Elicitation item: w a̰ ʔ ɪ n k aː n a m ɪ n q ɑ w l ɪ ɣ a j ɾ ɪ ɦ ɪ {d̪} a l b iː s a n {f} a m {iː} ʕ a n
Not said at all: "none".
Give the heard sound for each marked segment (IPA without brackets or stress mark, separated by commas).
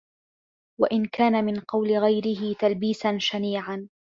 t̪, ʃ, iː